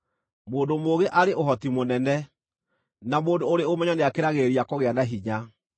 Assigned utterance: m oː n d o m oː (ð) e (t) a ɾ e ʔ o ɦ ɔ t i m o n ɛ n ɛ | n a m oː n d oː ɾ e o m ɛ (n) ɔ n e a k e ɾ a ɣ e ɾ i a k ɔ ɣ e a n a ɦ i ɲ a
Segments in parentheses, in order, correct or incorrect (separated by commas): incorrect, incorrect, incorrect